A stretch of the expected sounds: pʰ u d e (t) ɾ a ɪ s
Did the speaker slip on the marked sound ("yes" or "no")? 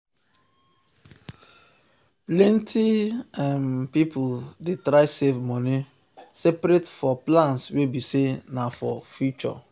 no